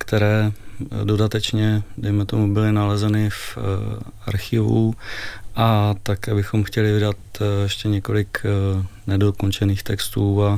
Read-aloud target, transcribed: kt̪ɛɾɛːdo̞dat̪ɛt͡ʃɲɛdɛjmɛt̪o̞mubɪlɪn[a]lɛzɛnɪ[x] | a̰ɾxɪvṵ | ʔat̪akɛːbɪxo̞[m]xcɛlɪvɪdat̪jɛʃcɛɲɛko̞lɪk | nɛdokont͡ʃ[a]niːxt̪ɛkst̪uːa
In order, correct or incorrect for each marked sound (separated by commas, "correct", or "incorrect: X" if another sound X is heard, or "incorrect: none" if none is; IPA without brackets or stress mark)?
correct, incorrect: f, correct, incorrect: ɛ